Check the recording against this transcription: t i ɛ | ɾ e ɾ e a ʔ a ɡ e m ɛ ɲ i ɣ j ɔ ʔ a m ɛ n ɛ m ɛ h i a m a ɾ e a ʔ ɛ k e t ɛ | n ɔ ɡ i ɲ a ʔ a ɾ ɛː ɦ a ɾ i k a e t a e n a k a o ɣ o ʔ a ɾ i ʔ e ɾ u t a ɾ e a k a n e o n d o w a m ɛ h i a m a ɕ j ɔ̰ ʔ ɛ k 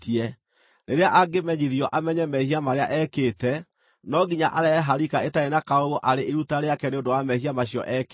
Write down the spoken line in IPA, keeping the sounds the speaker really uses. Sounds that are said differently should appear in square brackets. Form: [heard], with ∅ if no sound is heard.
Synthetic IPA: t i ɛ | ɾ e ɾ e a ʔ a ɡ e m ɛ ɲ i [ð] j ɔ ʔ a m ɛ [ɲ] ɛ m ɛ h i a m a ɾ e a ʔ ɛ k e t ɛ | n ɔ ɡ i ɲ a ʔ a ɾ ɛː ɦ a ɾ i k a e t a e n a k a o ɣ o ʔ a ɾ [e] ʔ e ɾ u t a ɾ e a k [ɛ] n e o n d o w a m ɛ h i a m a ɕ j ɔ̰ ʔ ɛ k